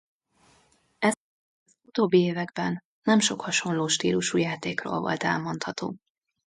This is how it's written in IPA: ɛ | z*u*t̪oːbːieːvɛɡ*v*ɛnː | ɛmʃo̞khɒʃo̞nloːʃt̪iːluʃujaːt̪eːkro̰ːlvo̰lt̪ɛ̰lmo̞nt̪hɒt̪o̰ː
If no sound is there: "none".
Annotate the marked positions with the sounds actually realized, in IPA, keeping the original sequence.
u, b

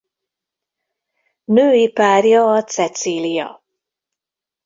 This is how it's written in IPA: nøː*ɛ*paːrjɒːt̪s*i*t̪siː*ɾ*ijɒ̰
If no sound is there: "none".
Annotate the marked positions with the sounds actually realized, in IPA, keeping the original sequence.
i, ɛ, l

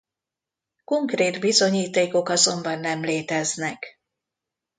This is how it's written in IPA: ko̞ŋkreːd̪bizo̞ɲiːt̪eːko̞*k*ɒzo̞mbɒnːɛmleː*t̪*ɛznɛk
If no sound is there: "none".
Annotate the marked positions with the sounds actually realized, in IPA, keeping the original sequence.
k, t̪

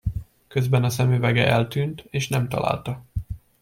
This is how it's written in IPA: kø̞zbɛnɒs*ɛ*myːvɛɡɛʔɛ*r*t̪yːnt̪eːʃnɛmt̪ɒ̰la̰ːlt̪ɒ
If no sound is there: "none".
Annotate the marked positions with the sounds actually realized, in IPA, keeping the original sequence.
ɛ, l

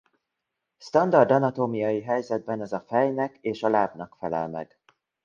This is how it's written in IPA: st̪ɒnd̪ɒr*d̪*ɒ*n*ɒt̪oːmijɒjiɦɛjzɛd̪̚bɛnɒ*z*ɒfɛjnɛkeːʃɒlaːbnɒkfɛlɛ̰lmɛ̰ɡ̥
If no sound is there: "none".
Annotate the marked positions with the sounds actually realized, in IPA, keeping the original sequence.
d̪, n, z

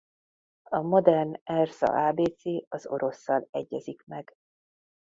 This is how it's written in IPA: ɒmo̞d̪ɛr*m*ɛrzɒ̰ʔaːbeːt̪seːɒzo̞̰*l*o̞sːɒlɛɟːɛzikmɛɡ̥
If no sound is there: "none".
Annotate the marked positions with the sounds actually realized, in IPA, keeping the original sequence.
n, ɾ

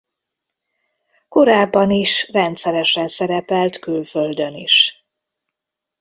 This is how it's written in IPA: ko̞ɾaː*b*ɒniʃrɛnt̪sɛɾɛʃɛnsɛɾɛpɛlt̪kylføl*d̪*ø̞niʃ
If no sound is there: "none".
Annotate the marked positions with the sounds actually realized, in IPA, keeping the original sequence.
bː, d̪

